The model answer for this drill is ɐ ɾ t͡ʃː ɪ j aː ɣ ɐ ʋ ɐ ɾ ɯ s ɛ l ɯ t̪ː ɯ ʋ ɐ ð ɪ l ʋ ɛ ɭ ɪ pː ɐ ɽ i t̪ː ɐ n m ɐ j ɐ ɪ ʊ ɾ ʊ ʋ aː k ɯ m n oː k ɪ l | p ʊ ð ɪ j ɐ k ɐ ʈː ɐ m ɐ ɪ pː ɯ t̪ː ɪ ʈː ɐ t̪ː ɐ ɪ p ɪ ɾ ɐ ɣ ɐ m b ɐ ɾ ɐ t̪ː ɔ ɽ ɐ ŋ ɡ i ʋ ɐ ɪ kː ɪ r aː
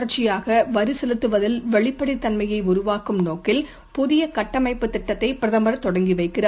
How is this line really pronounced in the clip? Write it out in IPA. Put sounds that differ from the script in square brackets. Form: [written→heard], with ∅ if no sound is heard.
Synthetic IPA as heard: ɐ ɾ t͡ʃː ɪ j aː ɣ ɐ ʋ ɐ ɾ ɯ s ɛ l ɯ t̪ː ɯ ʋ ɐ ð ɪ l ʋ ɛ ɭ ɪ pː ɐ ɽ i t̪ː ɐ n m ɐ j ɐ ɪ ʊ ɾ ʊ ʋ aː k ɯ m n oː k ɪ l | p ʊ ð ɪ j ɐ k ɐ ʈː ɐ m ɐ ɪ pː ɯ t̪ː ɪ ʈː ɐ t̪ː ɐ ɪ p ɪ ɾ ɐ [ɣ→ð] ɐ m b ɐ ɾ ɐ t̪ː ɔ ɽ ɐ ŋ ɡ i ʋ ɐ ɪ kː ɪ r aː